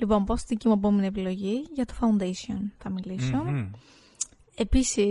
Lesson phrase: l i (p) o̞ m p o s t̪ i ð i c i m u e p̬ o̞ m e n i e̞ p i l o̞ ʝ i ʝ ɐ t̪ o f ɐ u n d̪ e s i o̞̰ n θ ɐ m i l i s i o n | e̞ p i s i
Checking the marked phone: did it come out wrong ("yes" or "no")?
no